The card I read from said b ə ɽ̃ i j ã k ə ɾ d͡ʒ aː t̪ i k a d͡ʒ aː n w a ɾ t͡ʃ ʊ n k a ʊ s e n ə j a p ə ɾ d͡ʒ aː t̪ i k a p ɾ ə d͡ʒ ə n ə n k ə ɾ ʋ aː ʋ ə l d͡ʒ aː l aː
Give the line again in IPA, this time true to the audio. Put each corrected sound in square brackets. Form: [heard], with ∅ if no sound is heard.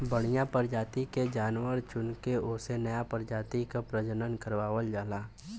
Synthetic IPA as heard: b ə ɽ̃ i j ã [p] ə ɾ d͡ʒ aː t̪ i k [e] d͡ʒ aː n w [ə] ɾ t͡ʃ ʊ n k [e] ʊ s e n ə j a p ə ɾ d͡ʒ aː t̪ i k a p ɾ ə d͡ʒ ə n ə n k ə ɾ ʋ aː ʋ ə l d͡ʒ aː l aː